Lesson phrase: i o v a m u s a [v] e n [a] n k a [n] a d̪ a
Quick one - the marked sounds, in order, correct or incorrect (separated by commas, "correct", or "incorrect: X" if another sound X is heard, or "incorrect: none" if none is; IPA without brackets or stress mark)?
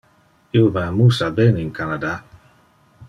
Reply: incorrect: b, incorrect: i, correct